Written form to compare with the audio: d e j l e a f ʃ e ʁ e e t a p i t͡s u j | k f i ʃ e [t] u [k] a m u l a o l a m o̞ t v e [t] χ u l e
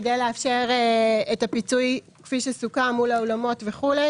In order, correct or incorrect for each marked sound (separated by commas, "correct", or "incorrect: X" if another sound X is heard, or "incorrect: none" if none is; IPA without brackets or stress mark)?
incorrect: s, correct, incorrect: none